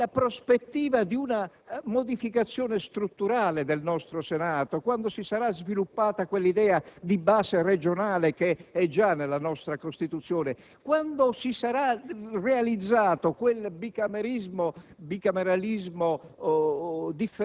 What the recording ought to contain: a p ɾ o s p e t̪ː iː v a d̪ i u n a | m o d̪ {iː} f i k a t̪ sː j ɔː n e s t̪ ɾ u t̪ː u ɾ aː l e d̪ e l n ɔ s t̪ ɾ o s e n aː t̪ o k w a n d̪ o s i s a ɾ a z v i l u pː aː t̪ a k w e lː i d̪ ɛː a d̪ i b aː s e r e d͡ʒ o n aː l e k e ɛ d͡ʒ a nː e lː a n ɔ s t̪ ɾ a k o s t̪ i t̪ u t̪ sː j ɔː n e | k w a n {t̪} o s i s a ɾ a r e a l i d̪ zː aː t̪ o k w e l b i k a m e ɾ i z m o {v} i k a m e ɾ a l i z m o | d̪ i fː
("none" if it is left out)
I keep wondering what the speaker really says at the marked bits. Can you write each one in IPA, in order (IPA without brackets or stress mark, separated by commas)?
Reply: i, d̪, b